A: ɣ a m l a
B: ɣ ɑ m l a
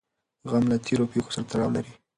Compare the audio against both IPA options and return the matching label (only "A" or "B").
A